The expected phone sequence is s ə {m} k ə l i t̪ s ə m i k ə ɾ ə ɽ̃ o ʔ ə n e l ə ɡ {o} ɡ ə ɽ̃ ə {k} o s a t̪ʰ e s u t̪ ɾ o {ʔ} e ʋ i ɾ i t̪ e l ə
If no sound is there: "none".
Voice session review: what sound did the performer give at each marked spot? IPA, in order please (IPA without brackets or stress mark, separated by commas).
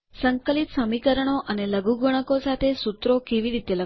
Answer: ŋ, u, k, k